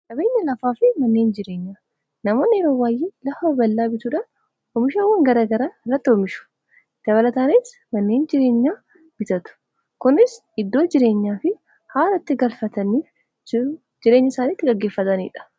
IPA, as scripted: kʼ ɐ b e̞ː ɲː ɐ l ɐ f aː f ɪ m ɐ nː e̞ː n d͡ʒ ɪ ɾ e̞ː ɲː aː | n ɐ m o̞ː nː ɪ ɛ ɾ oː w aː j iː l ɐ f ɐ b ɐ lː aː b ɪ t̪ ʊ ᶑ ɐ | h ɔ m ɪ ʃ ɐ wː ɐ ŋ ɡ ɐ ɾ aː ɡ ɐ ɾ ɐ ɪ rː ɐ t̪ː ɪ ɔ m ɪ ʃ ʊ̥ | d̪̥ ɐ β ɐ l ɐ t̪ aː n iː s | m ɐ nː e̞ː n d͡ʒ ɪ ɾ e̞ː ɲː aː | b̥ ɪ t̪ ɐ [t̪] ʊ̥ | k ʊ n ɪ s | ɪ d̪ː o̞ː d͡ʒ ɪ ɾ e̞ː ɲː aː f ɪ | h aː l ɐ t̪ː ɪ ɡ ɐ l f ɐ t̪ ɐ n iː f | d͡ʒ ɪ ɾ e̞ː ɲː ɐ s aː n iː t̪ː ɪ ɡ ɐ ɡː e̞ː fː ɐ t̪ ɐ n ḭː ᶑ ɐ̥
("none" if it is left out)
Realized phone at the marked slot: t̪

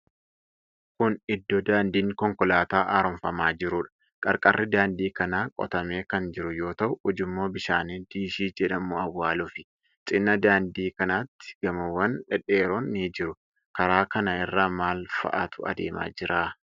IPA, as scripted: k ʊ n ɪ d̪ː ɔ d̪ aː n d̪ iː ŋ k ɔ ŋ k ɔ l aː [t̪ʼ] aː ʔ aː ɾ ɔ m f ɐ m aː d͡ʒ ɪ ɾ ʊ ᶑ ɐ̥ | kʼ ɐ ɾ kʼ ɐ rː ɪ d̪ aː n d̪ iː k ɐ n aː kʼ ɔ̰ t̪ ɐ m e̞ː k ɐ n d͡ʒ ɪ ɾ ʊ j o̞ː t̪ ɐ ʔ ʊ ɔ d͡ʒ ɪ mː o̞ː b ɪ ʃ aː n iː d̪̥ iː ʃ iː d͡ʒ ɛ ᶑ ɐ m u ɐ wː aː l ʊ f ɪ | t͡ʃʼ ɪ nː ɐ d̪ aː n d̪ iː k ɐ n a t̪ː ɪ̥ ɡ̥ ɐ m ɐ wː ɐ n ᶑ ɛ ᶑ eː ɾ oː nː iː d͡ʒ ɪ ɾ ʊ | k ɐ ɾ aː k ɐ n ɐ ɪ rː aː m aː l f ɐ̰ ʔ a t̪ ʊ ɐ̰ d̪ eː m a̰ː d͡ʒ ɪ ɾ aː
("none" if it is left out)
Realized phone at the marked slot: t̪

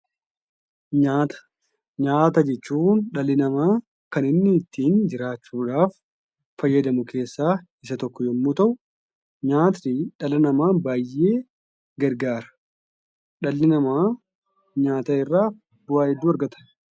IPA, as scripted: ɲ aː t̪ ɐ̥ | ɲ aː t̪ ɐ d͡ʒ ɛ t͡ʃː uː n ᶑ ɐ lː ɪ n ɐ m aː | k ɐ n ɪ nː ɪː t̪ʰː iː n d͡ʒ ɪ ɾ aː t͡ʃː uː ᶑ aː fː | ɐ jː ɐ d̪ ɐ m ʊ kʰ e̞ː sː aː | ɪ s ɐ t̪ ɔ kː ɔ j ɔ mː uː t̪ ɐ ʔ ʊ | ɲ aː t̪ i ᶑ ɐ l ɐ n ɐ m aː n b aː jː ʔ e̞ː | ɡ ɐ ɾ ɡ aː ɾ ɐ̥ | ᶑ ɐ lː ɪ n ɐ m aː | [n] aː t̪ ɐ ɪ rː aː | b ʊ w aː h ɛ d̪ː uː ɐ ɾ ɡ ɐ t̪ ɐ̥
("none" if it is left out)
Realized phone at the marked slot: ɲ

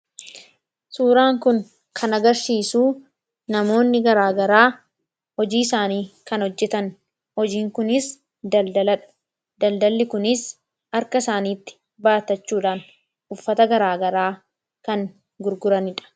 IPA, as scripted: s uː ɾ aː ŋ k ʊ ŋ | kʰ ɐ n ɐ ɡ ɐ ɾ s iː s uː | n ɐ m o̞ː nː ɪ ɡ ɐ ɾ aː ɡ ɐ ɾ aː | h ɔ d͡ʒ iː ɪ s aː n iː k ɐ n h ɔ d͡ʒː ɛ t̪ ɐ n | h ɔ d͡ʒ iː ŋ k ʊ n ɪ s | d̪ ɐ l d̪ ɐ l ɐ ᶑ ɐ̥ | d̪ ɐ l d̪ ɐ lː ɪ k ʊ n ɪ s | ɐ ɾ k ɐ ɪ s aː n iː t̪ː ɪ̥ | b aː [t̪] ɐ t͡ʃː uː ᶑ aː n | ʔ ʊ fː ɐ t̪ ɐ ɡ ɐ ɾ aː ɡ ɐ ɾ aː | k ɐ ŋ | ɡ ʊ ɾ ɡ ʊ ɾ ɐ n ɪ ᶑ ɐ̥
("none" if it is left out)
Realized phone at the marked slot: t̪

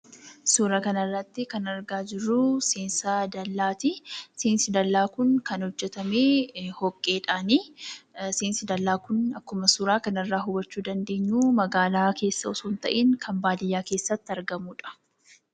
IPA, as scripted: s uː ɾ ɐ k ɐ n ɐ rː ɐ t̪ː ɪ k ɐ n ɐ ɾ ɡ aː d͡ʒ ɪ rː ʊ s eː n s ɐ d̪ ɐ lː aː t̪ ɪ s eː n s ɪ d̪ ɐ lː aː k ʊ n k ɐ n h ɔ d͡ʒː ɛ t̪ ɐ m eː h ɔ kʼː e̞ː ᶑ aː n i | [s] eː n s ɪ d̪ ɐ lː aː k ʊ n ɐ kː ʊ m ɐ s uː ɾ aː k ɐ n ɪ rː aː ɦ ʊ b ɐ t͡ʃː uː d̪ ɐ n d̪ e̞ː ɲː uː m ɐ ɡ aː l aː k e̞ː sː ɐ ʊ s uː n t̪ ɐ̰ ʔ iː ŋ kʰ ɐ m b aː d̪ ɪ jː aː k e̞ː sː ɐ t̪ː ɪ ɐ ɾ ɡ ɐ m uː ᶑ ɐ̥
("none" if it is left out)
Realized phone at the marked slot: s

